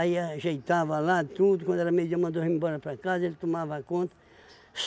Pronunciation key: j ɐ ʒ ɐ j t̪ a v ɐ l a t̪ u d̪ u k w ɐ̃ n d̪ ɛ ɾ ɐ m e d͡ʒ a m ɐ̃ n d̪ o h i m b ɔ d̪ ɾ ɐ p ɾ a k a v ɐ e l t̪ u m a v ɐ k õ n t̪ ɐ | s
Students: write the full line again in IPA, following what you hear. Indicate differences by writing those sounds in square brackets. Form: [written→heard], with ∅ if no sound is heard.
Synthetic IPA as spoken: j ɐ ʒ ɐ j t̪ a v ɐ l a t̪ u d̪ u k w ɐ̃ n d̪ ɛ ɾ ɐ m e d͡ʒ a m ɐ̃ n d̪ o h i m b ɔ [d̪→∅] ɾ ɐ p ɾ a k a [v→z] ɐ e l t̪ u m a v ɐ k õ n t̪ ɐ | s